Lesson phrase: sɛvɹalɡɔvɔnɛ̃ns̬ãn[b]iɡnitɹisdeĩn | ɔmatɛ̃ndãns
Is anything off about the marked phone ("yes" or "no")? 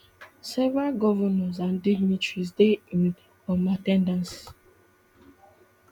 yes